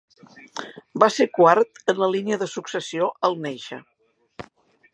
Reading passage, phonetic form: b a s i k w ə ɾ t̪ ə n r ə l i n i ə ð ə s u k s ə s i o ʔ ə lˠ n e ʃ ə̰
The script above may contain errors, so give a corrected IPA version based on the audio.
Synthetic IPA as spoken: b a s e k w a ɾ t̪ ə n l ə l i n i ə ð ə s u k s ə s i o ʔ ə lˠ n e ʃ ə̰